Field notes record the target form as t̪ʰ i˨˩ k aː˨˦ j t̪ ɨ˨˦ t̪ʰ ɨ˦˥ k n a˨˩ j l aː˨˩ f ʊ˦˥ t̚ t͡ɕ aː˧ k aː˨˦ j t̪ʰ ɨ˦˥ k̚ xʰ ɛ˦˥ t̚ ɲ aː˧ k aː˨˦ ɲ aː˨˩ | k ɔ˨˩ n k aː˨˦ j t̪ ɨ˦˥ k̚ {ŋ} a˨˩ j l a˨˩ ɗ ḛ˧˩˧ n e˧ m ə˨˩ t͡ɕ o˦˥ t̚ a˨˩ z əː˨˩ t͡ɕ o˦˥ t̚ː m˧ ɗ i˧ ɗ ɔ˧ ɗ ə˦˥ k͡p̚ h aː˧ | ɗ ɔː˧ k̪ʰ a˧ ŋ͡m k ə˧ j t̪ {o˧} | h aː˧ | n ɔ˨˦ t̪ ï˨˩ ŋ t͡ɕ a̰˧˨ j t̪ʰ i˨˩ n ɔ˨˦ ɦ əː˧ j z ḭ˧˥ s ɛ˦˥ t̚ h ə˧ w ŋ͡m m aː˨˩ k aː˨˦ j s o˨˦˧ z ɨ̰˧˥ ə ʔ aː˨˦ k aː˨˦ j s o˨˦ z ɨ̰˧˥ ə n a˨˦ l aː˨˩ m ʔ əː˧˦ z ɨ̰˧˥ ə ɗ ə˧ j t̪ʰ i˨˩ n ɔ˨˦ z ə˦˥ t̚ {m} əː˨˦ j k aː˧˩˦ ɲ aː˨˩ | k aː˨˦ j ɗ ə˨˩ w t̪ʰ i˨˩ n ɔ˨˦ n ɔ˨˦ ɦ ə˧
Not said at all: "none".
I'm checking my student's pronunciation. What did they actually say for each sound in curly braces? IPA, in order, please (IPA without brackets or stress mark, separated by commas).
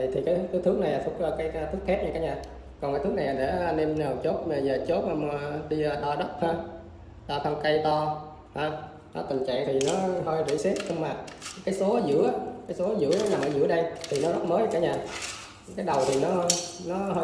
n, ɔ˧, m